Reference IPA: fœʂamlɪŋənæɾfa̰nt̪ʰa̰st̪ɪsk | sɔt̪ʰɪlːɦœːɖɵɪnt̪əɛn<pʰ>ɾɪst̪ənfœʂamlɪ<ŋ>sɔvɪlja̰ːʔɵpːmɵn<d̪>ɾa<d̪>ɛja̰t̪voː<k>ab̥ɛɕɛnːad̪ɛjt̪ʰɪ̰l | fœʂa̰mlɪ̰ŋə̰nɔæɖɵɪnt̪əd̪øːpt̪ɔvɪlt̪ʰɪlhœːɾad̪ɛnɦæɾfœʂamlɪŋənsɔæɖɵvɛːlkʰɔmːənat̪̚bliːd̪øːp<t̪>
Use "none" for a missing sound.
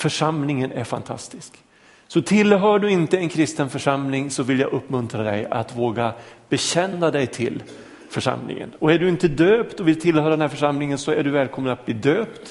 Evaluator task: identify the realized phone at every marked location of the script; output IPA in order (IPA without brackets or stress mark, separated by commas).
kʰ, ŋ, t̪, d̪, ɡ, t̪